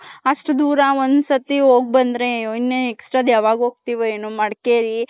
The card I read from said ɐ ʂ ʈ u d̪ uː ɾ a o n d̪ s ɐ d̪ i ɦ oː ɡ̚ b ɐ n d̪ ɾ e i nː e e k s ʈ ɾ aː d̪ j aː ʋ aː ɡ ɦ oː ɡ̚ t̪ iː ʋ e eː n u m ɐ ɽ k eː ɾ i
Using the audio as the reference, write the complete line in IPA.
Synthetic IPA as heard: ɐ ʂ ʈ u d̪ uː ɾ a o n d̪ s ɐ t̪ i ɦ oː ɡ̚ b ɐ n d̪ ɾ e i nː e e k s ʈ ɾ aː d̪ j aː ʋ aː ɡ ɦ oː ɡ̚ t̪ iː ʋ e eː n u m ɐ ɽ k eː ɾ i